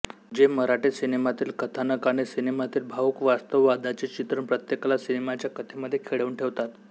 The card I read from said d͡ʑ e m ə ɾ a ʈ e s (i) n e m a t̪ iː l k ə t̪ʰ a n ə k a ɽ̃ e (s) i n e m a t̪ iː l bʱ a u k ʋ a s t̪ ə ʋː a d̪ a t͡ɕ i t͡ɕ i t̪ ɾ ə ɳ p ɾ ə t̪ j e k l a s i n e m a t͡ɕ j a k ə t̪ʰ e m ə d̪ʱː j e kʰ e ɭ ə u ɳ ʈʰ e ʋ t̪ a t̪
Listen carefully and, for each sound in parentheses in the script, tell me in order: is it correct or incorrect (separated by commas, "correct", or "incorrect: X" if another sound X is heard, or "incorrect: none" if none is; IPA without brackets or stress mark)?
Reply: correct, correct